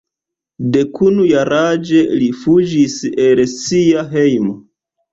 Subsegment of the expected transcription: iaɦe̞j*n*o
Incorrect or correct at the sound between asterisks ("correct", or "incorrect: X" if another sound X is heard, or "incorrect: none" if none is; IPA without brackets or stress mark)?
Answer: incorrect: m